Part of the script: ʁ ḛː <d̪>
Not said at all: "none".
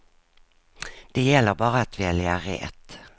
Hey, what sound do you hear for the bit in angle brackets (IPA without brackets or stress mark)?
t̪